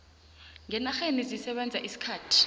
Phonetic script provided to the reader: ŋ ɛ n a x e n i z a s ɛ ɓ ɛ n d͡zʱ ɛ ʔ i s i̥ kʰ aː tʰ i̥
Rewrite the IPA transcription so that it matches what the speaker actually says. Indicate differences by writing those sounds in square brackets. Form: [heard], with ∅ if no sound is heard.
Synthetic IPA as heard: ŋ ɛ n a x e n i z [i] s ɛ ɓ ɛ n d͡zʱ [a] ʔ i s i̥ kʰ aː tʰ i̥